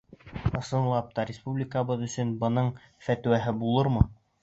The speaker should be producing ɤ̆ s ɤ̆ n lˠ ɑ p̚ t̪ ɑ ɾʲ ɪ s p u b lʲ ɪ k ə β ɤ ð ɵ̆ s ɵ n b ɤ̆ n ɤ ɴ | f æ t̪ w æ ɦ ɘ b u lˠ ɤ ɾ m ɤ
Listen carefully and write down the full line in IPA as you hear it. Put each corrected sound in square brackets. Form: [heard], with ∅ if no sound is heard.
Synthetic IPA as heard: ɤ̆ s ɤ̆ n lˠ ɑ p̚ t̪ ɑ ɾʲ ɪ s p u b lʲ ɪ k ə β ɤ ð ɵ̆ s ɵ n b ɤ̆ n ɤ ɴ | f æ t̪ w æ ɦ ɘ b u lˠ ɤ ɾ m ɤ